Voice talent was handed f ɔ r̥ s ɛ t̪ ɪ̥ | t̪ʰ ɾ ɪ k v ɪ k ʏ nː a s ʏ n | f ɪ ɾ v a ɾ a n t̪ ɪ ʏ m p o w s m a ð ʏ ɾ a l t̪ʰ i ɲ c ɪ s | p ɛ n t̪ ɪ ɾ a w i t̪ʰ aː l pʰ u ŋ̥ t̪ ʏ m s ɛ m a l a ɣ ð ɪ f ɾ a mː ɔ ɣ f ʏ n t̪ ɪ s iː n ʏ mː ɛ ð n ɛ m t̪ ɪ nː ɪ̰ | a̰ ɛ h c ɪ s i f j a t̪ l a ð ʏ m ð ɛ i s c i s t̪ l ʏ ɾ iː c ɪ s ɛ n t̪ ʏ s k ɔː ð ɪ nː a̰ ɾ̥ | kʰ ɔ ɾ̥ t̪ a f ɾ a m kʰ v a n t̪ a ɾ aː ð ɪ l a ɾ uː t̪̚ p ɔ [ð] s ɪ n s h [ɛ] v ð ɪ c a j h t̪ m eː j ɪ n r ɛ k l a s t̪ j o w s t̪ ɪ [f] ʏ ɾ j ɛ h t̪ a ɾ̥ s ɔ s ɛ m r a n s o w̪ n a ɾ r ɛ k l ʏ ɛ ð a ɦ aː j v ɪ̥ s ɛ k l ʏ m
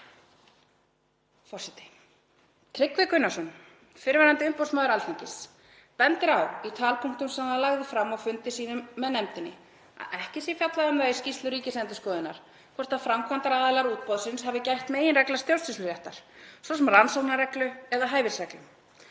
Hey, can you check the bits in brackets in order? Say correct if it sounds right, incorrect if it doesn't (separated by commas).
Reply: correct, incorrect, incorrect